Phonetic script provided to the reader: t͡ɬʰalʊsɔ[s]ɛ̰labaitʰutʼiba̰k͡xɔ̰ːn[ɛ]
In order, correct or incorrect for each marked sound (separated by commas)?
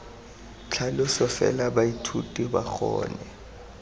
incorrect, correct